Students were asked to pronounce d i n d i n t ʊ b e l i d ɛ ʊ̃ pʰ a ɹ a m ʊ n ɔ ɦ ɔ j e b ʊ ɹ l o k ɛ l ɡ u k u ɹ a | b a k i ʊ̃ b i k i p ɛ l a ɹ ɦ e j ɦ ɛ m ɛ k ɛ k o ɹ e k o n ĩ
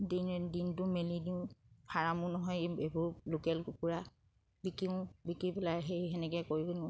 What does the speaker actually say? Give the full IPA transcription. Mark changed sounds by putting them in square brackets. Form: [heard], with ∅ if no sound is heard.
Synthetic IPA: d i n d i n t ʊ [m] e l i d [i] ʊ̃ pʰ a ɹ a m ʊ n ɔ ɦ ɔ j e b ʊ ɹ l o k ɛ l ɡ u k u ɹ a | b [i] k i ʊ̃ b i k i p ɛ l a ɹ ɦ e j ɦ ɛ [n] ɛ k ɛ k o ɹ [i] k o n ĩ